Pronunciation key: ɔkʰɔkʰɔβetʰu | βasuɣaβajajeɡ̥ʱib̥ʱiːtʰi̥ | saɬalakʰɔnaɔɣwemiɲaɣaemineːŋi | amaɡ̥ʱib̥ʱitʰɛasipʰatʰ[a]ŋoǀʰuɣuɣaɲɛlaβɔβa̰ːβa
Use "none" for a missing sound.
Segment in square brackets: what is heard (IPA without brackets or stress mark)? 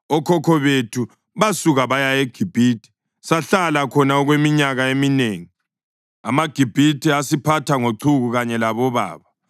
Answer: a